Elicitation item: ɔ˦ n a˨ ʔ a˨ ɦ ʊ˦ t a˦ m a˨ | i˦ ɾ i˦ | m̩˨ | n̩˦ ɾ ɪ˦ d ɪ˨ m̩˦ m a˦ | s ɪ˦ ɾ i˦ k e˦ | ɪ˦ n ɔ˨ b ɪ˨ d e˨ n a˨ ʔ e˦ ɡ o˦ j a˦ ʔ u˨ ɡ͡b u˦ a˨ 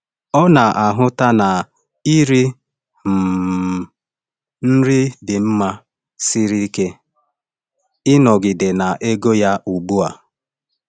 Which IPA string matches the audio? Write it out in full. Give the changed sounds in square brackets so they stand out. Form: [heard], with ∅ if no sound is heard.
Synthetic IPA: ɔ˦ n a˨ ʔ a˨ ɦ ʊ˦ t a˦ [n] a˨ | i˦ ɾ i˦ | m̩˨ | n̩˦ ɾ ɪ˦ d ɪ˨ m̩˦ m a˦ | s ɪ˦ ɾ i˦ k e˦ | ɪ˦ n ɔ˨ [ɡ] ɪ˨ d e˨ n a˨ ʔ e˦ ɡ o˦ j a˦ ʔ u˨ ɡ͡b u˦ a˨